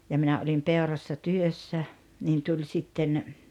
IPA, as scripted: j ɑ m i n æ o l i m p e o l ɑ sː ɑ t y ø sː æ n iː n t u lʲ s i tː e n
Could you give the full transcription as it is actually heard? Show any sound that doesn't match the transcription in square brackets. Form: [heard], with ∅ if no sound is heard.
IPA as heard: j ɑ m i n æ o l i m p e o [r] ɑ sː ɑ t y ø sː æ n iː n t u lʲ s i tː e n